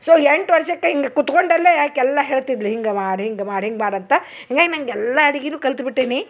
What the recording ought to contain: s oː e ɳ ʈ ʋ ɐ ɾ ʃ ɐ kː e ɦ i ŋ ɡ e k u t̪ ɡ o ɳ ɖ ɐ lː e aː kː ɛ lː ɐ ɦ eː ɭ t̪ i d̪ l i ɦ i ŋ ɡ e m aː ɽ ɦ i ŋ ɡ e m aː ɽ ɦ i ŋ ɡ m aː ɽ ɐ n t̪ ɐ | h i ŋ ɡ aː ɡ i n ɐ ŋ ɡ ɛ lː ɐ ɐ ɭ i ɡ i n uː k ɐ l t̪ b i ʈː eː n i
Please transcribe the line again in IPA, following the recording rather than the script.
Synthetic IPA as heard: s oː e ɳ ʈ ʋ ɐ ɾ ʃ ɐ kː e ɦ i ŋ ɡ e k u t̪ k o ɳ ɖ ɐ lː e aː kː ɛ lː ɐ ɦ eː ɭ t̪ i d̪ l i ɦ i ŋ ɡ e m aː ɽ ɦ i ŋ ɡ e m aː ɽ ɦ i ŋ ɡ m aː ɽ ɐ n t̪ ɐ | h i ŋ ɡ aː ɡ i n ɐ ŋ ɡ ɛ lː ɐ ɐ ɽ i ɡ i n uː k ɐ l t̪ b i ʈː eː n i

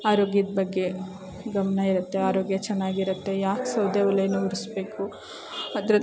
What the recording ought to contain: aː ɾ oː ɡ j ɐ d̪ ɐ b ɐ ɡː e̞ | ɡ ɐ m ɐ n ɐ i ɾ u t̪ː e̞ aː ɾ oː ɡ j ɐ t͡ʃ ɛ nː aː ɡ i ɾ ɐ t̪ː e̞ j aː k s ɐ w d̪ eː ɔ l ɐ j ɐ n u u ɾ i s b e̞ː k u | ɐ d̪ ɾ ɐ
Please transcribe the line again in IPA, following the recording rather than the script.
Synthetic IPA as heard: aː ɾ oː ɡ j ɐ d̪ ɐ b ɐ ɡː e̞ | ɡ ɐ m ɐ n ɐ i ɾ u t̪ː e̞ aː ɾ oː ɡ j ɐ t͡ʃ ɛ nː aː ɡ i ɾ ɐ t̪ː e̞ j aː k s ɐ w d̪ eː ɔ l ɐ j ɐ n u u ɾ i s b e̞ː k u | ɐ d̪ ɾ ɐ

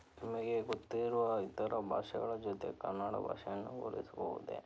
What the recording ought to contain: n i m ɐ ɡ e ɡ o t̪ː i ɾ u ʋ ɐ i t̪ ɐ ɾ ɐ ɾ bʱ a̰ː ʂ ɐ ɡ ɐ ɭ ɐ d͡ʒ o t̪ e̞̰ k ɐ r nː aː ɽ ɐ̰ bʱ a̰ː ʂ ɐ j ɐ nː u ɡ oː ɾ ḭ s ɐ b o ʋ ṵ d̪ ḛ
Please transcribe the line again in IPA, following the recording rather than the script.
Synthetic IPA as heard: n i m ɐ ɡ e ɡ o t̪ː i ɾ u ʋ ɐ i t̪ ɐ ɾ ɐ bʱ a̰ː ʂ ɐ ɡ ɐ ɭ ɐ d͡ʒ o t̪ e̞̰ k ɐ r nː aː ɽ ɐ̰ bʱ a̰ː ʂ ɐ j ɐ nː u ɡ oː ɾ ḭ s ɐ b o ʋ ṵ d̪ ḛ

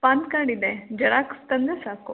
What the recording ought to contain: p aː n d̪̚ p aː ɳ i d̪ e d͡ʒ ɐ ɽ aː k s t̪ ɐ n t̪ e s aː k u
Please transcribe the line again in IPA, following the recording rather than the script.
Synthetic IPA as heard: p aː n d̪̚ k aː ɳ i d̪ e d͡ʒ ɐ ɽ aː k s t̪ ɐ n d̪ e s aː k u

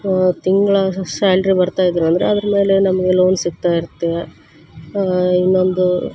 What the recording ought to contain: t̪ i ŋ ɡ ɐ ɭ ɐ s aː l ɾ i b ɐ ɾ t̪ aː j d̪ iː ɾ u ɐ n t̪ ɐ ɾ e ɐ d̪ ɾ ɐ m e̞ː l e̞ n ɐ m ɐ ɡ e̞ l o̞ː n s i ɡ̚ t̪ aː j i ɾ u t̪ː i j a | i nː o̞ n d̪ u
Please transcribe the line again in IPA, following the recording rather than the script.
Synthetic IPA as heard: t̪ i ŋ ɡ ɐ ɭ ɐ s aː l ɾ i b ɐ ɾ t̪ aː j d̪ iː ɾ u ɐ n d̪ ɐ ɾ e ɐ d̪ ɾ ɐ m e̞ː l e̞ n ɐ m ɐ ɡ e̞ l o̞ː n s i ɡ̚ t̪ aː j i ɾ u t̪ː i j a | i nː o̞ n d̪ u

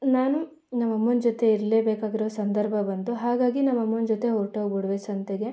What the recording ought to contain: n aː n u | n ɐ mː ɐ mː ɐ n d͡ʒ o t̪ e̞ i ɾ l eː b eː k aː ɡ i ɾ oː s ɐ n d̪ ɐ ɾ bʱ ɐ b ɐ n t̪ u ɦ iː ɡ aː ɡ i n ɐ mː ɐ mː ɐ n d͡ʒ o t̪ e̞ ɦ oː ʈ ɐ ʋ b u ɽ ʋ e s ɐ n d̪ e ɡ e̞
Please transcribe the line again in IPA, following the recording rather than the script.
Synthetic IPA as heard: n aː n u | n ɐ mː ɐ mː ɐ n d͡ʒ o t̪ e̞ i ɾ l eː b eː k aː ɡ i ɾ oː s ɐ n d̪ ɐ ɾ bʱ ɐ b ɐ n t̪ u ɦ aː ɡ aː ɡ i n ɐ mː ɐ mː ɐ n d͡ʒ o t̪ e̞ ɦ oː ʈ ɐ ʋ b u ɽ ʋ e s ɐ n t̪ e ɡ e̞

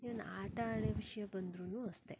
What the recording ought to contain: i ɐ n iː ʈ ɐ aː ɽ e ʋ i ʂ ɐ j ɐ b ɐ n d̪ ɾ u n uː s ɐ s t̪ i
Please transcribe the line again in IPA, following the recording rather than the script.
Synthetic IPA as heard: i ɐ n aː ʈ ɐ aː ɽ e ʋ i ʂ ɐ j ɐ b ɐ n d̪ ɾ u n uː ɐ s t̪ e

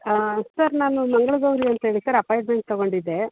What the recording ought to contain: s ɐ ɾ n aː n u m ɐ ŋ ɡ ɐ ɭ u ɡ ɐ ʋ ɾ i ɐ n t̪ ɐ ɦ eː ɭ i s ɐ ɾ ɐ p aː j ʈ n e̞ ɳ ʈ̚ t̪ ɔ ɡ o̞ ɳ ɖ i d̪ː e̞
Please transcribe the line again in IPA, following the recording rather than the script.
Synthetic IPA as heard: s ɐ ɾ n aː n u m ɐ ŋ ɡ ɐ ɭ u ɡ ɐ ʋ ɾ i ɐ n t̪ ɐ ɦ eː ɭ i s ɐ ɾ ɐ p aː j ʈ m e̞ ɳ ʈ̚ t̪ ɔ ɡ o̞ ɳ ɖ i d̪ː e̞

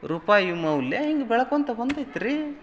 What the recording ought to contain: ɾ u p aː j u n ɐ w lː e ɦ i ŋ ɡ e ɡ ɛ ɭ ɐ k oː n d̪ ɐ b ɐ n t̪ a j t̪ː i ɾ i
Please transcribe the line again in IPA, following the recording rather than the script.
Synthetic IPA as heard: ɾ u p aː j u m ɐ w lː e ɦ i ŋ ɡ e b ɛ ɭ ɐ k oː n t̪ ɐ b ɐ n d̪ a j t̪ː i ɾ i

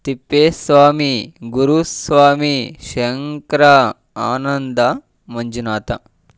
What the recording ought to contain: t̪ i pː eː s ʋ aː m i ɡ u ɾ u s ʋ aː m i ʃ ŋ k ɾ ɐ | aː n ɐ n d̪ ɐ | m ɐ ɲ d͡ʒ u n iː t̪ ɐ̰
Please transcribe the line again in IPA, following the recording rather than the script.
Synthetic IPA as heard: t̪ i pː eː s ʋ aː m i ɡ u ɾ u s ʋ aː m i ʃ ŋ k ɾ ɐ | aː n ɐ n d̪ ɐ | m ɐ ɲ d͡ʒ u n aː t̪ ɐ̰

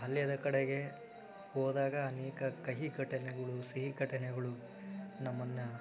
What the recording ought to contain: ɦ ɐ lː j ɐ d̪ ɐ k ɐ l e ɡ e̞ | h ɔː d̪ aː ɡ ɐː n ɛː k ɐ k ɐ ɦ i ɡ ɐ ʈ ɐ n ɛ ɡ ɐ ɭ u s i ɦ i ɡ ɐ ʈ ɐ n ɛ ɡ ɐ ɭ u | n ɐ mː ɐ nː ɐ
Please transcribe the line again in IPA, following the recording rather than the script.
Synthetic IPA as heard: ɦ ɐ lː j ɐ d̪ ɐ k ɐ ɽ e ɡ e̞ | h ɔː d̪ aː ɡ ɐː n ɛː k ɐ k ɐ ɦ i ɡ ɐ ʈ ɐ n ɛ ɡ ɐ ɭ u s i ɦ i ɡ ɐ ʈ ɐ n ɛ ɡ ɐ ɭ u | n ɐ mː ɐ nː ɐ

